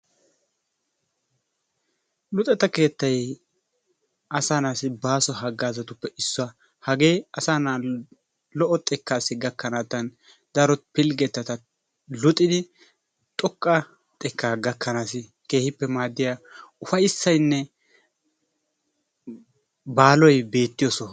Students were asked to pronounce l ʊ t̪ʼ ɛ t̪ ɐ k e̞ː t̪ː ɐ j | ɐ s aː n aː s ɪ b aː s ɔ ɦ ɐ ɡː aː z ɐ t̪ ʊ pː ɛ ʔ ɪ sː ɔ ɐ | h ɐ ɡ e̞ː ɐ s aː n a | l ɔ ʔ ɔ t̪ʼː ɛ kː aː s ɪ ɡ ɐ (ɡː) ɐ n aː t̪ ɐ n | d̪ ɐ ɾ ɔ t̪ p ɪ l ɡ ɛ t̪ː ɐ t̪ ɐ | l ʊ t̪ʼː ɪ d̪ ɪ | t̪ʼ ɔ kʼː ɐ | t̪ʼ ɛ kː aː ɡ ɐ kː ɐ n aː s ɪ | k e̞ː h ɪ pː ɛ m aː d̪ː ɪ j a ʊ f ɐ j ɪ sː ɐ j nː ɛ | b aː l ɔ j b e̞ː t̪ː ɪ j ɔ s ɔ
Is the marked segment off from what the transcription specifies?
yes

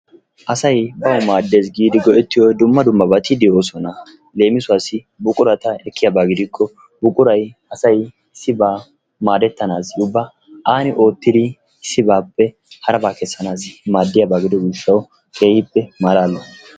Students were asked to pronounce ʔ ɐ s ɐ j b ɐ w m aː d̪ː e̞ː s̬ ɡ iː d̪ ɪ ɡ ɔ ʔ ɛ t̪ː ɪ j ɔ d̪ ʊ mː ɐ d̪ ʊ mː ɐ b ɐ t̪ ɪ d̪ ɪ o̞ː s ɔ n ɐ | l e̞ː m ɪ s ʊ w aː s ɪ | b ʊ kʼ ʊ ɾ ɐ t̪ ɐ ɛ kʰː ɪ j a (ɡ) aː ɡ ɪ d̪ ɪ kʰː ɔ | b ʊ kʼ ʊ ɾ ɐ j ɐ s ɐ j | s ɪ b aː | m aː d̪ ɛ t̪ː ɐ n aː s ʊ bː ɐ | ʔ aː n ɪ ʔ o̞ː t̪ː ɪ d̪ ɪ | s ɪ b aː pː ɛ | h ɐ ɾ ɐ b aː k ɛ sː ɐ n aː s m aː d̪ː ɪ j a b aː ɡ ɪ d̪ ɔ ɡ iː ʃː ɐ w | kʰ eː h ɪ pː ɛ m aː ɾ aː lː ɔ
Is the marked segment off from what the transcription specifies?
yes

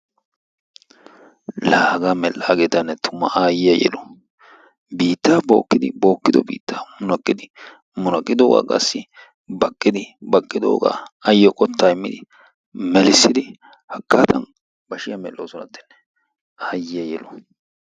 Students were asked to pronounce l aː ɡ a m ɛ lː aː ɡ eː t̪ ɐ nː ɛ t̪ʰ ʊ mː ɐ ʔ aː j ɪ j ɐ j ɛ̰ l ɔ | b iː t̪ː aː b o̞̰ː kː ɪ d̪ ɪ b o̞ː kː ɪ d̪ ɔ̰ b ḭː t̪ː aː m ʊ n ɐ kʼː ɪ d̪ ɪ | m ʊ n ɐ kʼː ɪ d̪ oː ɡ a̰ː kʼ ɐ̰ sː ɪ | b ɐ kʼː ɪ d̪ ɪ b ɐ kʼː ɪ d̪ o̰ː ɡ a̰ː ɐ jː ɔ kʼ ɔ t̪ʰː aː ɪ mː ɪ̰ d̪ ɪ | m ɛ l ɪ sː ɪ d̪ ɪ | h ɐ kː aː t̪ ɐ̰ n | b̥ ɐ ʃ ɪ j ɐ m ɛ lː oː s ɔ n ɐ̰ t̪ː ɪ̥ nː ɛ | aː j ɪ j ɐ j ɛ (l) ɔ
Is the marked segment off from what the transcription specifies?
no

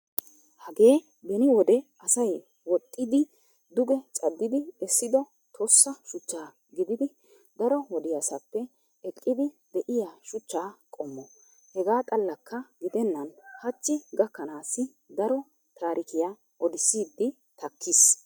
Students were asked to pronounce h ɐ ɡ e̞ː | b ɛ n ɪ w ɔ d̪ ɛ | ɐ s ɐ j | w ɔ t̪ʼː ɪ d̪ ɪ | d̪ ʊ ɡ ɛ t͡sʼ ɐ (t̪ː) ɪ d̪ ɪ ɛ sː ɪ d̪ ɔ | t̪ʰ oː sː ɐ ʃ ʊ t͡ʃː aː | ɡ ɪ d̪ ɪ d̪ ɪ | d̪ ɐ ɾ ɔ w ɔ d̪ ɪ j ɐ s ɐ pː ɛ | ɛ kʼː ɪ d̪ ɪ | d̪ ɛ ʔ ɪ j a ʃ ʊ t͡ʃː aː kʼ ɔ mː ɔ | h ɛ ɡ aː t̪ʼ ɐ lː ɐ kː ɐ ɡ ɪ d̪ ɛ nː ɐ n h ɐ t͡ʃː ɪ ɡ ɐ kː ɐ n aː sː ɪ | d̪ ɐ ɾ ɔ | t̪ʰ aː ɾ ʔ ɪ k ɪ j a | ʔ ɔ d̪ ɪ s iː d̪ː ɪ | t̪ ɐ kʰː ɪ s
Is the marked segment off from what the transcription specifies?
yes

